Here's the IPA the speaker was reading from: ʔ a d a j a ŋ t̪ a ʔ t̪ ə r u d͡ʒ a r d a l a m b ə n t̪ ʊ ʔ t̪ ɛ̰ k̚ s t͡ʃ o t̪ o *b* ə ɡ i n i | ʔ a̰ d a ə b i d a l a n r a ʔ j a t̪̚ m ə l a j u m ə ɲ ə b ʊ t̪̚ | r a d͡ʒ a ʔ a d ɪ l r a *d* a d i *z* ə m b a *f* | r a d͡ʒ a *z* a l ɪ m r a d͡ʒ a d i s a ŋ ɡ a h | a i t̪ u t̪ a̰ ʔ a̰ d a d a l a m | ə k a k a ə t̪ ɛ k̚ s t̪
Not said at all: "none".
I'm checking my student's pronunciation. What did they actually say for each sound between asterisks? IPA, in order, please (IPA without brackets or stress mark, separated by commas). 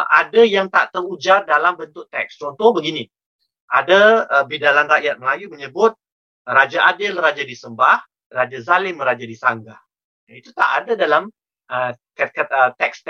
b, d͡ʒ, s, h, z